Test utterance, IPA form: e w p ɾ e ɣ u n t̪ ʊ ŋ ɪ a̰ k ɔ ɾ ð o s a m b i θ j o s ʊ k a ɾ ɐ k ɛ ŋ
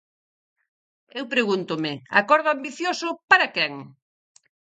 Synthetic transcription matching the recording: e w p ɾ e ɣ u n t̪ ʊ m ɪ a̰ k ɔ ɾ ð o a m b i θ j o s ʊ p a ɾ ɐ k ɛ ŋ